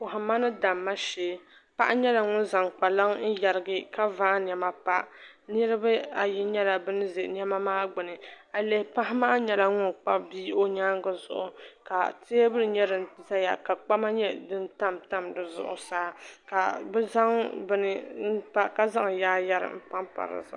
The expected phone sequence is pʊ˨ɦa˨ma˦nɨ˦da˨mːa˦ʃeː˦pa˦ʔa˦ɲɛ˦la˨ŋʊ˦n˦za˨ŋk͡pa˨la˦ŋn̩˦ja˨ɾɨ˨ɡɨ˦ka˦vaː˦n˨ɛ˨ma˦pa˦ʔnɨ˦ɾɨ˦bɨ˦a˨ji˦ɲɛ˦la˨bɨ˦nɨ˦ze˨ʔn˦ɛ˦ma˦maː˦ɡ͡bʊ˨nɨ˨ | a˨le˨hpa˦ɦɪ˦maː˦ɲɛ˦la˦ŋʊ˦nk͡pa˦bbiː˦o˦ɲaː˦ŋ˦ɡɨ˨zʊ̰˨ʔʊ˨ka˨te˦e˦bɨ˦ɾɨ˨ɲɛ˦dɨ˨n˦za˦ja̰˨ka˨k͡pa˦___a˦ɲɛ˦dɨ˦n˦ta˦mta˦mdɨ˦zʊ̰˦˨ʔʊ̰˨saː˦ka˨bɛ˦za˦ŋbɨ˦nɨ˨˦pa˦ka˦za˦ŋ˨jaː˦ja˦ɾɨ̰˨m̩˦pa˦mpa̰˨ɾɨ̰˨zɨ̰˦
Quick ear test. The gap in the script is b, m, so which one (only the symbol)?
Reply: m